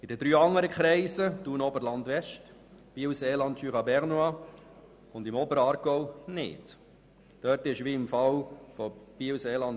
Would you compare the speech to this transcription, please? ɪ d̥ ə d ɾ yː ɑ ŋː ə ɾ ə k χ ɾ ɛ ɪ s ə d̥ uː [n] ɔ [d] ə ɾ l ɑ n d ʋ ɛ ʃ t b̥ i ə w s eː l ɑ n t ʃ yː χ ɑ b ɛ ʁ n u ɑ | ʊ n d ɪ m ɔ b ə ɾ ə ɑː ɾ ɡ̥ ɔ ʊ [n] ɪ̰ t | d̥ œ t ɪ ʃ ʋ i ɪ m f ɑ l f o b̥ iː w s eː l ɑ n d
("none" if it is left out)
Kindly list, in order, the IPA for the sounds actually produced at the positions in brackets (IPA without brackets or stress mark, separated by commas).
n, b, n